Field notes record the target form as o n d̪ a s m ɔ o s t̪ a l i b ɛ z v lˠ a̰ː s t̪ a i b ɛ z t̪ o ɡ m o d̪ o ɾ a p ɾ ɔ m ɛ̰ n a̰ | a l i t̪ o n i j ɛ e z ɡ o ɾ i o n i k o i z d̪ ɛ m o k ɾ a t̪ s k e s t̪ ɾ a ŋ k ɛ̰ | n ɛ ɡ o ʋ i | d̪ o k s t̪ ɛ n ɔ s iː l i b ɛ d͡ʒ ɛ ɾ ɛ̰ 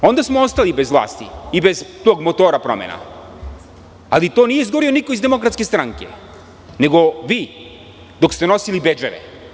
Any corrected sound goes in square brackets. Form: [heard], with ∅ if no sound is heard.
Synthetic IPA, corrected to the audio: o n d̪ a s m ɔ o s t̪ a l i b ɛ z v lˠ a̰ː s t̪ [i] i b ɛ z t̪ o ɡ m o [t̪] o ɾ a p ɾ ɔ m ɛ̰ n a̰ | a l i t̪ o n i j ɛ [i] z ɡ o ɾ i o n i k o i z d̪ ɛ m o k ɾ a t̪ s k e s t̪ ɾ a ŋ k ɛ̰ | n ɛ ɡ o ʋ i | d̪ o k s t̪ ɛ n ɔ s [i] l i b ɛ d͡ʒ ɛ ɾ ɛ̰